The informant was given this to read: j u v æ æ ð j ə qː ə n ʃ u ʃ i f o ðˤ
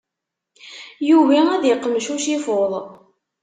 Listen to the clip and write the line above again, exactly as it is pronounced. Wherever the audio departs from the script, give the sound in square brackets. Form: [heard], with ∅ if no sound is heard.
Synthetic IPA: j u v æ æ ð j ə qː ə [m] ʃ u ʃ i f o ðˤ

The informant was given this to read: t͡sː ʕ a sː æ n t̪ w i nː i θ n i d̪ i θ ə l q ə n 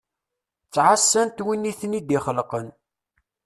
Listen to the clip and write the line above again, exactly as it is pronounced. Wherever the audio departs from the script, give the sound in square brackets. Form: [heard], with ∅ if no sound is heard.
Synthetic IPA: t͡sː ʕ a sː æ n t̪ w i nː i θ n i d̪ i [χ] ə l q ə n

